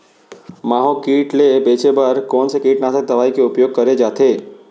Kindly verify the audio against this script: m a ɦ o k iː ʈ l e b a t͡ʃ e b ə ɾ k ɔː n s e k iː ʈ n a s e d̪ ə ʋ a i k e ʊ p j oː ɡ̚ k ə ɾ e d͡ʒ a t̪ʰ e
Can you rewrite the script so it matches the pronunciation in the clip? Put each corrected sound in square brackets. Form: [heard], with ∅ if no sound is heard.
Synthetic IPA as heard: m a ɦ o k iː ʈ l e b [e] t͡ʃ e b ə ɾ k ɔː n s e k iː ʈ n a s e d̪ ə ʋ a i k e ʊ p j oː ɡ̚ k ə ɾ e d͡ʒ a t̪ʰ e